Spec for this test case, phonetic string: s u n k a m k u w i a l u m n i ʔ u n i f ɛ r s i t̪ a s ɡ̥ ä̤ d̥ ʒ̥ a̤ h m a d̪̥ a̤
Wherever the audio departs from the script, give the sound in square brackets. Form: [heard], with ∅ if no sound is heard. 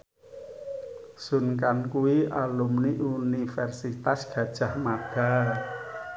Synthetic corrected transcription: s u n k a [n] k u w i a l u m n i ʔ u n i f ɛ r s i t̪ a s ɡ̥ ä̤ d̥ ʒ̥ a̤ h m a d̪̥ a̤